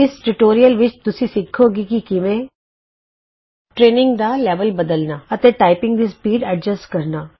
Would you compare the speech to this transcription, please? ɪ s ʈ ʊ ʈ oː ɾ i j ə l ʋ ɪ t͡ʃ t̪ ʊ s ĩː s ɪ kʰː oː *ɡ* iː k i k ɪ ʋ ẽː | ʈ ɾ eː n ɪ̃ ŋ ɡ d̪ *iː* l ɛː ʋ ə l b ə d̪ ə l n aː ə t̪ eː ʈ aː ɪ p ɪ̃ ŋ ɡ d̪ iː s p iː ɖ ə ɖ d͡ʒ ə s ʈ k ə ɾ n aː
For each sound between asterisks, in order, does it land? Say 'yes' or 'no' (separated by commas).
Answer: yes, no